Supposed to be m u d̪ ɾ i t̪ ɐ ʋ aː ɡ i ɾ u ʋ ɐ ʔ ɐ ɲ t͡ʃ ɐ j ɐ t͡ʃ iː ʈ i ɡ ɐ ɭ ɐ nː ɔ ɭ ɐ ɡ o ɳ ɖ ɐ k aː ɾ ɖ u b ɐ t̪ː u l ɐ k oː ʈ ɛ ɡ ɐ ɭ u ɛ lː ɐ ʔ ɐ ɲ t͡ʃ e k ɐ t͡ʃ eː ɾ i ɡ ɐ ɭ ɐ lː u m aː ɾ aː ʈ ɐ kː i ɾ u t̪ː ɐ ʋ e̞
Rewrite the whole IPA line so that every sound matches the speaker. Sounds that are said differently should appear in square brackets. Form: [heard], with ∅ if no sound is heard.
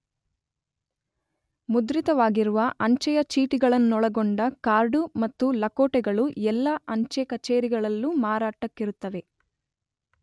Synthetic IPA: m u d̪ ɾ i t̪ ɐ ʋ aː ɡ i ɾ u ʋ ɐ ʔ ɐ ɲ t͡ʃ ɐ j ɐ t͡ʃ iː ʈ i ɡ ɐ ɭ ɐ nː ɔ ɭ ɐ ɡ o ɳ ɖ ɐ k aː ɾ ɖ u [m] ɐ t̪ː u l ɐ k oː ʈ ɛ ɡ ɐ ɭ u ɛ lː ɐ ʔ ɐ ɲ t͡ʃ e k ɐ t͡ʃ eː ɾ i ɡ ɐ ɭ ɐ lː u m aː ɾ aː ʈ ɐ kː i ɾ u t̪ː ɐ ʋ e̞

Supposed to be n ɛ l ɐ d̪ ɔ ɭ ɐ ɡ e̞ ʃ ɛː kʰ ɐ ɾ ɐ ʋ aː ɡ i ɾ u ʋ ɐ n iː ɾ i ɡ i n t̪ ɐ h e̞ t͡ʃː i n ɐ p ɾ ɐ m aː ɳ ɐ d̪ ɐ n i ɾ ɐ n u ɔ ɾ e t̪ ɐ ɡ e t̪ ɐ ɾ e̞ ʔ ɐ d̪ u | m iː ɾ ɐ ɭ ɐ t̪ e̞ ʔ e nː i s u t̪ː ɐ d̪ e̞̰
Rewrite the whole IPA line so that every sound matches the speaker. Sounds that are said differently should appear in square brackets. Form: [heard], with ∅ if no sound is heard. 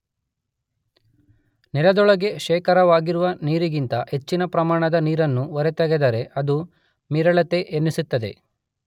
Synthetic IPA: n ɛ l ɐ d̪ ɔ ɭ ɐ ɡ e̞ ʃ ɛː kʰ ɐ ɾ ɐ ʋ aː ɡ i ɾ u ʋ ɐ n iː ɾ i ɡ i n t̪ ɐ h e̞ t͡ʃː i n ɐ p ɾ ɐ m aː ɳ ɐ d̪ ɐ n [iː] ɾ ɐ [nː] u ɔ ɾ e t̪ ɐ ɡ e [d̪] ɐ ɾ e̞ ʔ ɐ d̪ u | m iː ɾ ɐ ɭ ɐ t̪ e̞ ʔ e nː i s u t̪ː ɐ d̪ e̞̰

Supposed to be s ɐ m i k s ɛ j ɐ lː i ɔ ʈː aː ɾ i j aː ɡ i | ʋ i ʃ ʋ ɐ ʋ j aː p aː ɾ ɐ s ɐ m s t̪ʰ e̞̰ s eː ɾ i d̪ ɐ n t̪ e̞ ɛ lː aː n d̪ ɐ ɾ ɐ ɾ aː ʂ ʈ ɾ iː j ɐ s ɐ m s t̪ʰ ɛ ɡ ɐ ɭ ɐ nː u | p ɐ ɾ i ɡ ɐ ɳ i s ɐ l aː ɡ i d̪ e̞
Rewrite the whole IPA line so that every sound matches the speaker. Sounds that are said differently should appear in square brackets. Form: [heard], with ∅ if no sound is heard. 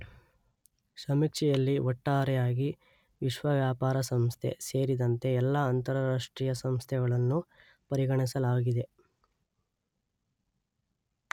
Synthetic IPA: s ɐ m i k [ʂ] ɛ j ɐ lː i ɔ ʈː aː ɾ [ɛ] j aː ɡ i | ʋ i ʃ ʋ ɐ ʋ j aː p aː ɾ ɐ s ɐ m s t̪ʰ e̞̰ s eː ɾ i d̪ ɐ n t̪ e̞ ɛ lː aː n [t̪] ɐ ɾ ɐ ɾ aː ʂ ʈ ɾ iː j ɐ s ɐ m s t̪ʰ ɛ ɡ ɐ ɭ ɐ nː u | p ɐ ɾ i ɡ ɐ ɳ i s ɐ l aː ɡ i d̪ e̞

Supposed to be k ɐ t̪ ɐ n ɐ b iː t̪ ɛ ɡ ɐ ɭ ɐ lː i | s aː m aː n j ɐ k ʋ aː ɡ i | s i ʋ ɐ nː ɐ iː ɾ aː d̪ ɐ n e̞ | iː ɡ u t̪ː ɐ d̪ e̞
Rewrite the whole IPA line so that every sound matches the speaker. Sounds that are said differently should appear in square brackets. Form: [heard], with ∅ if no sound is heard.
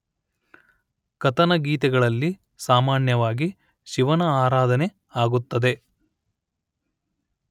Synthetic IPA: k ɐ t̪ ɐ n ɐ [ɡ] iː t̪ ɛ ɡ ɐ ɭ ɐ lː i | s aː m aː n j ɐ [∅] ʋ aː ɡ i | [ʃ] i ʋ ɐ [n] ɐ [aː] ɾ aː d̪ ɐ n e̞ | [aː] ɡ u t̪ː ɐ d̪ e̞

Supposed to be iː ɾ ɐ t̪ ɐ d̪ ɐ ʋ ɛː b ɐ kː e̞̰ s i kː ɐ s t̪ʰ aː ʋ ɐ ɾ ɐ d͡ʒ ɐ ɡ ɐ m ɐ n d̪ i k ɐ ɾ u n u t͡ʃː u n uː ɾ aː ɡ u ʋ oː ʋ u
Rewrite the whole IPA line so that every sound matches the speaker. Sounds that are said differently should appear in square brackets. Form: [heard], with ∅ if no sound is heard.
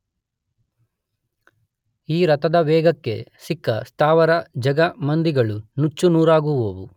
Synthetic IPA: iː ɾ ɐ t̪ ɐ d̪ ɐ ʋ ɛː [ɡ] ɐ kː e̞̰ s i kː ɐ s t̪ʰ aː ʋ ɐ ɾ ɐ d͡ʒ ɐ ɡ ɐ m ɐ n d̪ i [ɡ] ɐ [ɭ] u n u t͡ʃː u n uː ɾ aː ɡ u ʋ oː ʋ u

